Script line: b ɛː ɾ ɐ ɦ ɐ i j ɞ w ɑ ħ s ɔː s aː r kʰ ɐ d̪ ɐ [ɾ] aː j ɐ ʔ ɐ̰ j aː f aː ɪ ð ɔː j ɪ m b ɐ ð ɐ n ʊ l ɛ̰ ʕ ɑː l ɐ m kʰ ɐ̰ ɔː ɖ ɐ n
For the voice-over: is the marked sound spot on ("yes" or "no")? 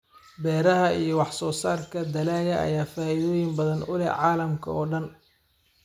no